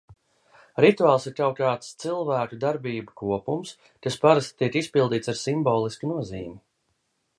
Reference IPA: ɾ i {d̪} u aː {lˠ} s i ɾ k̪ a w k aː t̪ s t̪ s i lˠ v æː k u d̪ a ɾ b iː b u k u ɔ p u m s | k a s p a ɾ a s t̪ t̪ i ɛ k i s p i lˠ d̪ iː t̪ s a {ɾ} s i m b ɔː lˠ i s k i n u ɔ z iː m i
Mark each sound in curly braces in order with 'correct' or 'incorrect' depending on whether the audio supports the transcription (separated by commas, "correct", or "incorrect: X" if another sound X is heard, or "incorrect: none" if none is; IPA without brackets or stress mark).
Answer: incorrect: t̪, correct, correct